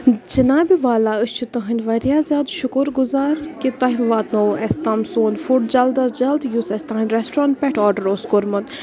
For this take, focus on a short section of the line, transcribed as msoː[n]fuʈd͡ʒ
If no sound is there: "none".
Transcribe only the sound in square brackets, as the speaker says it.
n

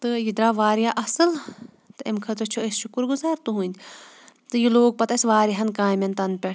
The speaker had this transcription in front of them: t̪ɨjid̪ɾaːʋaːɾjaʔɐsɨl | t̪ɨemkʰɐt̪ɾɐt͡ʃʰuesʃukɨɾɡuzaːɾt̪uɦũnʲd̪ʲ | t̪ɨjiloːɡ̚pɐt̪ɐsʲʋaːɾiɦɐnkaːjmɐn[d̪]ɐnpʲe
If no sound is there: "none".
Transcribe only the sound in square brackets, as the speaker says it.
t̪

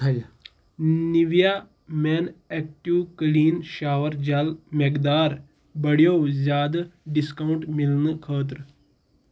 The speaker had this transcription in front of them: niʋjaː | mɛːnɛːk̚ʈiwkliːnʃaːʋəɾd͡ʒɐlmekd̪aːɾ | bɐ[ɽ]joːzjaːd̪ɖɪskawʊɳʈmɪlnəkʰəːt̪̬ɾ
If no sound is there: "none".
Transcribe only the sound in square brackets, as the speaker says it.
ɽ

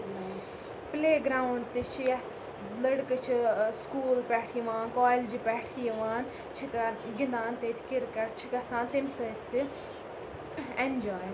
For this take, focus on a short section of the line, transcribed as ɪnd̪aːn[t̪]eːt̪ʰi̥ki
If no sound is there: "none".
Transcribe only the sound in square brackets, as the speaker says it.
t̪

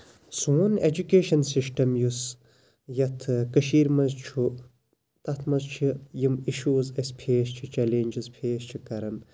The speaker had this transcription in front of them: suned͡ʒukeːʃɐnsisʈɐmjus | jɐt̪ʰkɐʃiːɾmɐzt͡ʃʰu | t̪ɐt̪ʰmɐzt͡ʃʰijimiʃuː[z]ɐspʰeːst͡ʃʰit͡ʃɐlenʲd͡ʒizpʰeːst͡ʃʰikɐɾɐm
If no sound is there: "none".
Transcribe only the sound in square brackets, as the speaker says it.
z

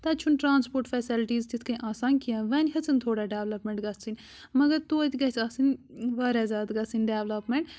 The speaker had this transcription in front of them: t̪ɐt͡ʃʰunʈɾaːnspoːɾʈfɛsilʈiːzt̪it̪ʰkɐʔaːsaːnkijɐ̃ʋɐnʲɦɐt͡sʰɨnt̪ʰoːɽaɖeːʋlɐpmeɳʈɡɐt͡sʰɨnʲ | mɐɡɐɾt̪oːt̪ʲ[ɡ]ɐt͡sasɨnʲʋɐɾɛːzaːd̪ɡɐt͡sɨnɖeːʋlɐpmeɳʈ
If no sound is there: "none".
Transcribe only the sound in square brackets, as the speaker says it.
ɡ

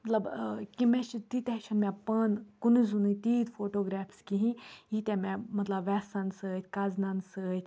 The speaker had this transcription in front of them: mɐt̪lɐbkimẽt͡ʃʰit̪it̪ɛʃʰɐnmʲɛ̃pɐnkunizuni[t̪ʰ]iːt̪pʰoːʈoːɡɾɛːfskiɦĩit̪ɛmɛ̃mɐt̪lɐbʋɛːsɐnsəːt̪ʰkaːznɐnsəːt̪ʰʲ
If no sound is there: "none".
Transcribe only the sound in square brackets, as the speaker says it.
t̪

